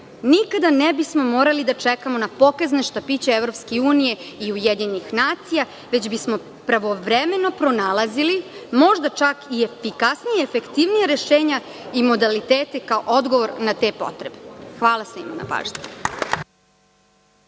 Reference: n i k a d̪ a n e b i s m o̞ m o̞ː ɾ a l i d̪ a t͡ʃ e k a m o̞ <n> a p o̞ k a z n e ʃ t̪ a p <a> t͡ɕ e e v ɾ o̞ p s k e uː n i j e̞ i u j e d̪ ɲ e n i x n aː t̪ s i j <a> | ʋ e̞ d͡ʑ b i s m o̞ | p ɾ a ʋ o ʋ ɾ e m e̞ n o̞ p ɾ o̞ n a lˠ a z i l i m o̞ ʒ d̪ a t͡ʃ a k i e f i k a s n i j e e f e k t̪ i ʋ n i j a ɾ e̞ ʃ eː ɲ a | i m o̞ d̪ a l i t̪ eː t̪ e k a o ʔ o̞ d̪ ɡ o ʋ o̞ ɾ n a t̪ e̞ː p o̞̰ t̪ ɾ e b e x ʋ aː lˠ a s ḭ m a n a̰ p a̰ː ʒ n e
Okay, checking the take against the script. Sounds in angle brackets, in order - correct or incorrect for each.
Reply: correct, incorrect, correct

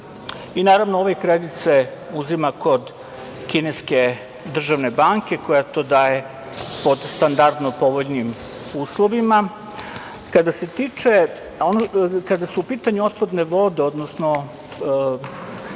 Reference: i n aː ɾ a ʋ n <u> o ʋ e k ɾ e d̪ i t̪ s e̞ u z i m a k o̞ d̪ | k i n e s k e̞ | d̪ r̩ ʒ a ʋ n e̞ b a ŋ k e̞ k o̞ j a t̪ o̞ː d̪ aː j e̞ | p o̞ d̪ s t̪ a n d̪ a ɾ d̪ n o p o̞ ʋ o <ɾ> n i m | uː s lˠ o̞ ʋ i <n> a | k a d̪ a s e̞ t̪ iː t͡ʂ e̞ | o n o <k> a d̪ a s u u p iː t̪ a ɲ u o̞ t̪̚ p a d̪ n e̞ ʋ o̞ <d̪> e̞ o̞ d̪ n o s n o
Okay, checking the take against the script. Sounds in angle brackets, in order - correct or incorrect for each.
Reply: incorrect, incorrect, incorrect, correct, correct

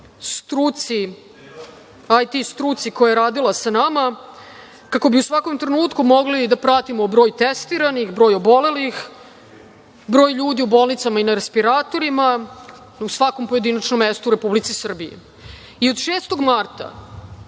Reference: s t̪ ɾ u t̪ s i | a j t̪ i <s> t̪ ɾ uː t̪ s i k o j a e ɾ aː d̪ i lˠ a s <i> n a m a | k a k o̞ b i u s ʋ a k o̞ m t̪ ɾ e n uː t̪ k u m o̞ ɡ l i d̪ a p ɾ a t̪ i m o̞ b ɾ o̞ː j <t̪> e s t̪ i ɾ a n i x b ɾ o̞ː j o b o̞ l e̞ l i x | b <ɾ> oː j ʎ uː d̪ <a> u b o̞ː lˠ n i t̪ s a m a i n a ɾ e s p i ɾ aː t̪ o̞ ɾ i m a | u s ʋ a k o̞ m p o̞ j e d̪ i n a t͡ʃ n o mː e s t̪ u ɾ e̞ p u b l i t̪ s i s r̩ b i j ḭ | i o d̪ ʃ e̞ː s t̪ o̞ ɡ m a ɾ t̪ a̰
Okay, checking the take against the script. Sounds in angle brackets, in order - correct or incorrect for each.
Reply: correct, incorrect, correct, correct, incorrect

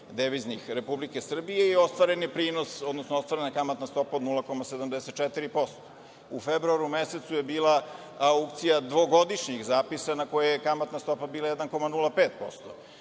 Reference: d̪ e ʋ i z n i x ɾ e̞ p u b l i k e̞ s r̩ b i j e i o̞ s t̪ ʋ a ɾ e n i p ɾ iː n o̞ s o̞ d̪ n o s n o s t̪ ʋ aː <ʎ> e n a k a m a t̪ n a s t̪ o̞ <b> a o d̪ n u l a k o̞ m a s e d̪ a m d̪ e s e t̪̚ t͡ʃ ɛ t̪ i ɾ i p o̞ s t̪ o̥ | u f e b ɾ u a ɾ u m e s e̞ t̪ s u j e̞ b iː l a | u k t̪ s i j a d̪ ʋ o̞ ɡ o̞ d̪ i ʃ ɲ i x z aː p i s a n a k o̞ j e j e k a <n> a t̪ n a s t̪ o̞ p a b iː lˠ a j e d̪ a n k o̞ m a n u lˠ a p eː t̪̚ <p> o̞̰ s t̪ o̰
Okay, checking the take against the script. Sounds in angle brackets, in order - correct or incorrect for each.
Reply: incorrect, incorrect, incorrect, correct

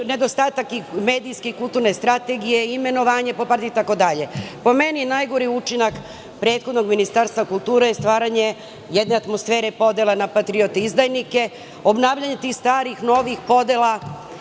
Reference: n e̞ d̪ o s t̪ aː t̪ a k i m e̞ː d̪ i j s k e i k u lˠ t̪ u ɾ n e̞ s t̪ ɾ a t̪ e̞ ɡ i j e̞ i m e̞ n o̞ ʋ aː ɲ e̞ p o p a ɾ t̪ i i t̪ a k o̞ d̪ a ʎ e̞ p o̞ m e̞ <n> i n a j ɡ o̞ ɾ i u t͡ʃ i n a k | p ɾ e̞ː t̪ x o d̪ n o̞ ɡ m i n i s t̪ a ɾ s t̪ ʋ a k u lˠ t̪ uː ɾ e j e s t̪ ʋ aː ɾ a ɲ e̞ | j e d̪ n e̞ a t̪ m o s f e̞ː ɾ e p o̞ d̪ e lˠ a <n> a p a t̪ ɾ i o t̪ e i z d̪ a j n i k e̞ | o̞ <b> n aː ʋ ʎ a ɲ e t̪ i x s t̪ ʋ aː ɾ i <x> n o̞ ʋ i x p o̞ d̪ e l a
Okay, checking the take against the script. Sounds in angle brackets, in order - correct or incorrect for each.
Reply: correct, correct, correct, correct

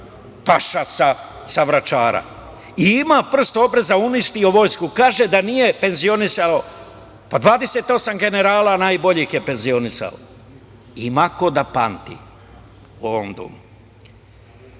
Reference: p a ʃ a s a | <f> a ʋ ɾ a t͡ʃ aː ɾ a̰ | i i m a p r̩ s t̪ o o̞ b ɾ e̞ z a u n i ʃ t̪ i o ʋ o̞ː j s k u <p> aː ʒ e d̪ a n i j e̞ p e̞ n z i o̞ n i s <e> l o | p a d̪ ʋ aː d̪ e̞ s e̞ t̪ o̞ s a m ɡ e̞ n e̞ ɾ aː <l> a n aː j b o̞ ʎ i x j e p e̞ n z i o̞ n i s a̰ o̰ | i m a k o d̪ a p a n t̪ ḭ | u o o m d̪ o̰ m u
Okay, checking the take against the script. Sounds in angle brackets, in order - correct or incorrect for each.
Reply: incorrect, incorrect, incorrect, correct

